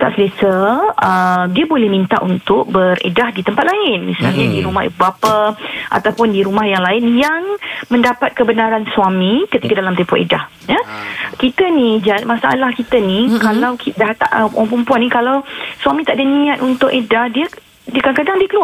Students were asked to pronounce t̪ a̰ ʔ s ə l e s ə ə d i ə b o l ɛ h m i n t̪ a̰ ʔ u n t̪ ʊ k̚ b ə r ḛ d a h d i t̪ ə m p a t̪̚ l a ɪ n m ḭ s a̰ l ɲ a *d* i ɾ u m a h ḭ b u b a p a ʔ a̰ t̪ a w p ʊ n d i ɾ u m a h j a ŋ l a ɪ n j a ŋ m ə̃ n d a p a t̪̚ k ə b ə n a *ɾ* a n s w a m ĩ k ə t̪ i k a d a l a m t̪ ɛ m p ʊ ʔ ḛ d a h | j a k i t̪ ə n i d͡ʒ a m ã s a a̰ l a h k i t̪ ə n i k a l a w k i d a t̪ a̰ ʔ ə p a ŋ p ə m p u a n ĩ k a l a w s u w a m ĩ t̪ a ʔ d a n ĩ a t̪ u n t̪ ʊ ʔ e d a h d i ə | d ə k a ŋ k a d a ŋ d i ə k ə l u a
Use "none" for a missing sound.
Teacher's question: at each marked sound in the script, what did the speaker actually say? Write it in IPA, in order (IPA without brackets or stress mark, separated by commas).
d, ɾ